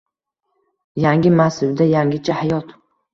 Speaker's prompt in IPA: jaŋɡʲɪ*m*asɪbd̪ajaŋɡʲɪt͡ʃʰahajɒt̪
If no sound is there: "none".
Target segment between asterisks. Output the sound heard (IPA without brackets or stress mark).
m